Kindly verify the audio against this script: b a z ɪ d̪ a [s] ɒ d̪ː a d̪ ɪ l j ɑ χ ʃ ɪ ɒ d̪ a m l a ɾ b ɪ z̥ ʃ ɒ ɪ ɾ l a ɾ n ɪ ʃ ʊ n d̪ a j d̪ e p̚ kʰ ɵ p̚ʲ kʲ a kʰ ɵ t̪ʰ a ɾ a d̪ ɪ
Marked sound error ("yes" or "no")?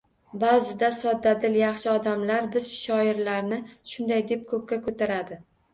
no